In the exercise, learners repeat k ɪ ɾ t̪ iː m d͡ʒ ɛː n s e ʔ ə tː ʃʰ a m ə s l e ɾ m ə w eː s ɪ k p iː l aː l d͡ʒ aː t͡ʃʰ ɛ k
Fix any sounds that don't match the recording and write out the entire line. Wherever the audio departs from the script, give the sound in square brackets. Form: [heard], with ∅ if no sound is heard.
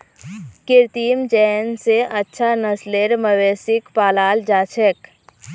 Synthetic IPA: k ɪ ɾ t̪ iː m d͡ʒ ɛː n s e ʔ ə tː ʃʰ a [n] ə s l e ɾ m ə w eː s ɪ k p [aː] l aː l d͡ʒ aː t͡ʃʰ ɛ k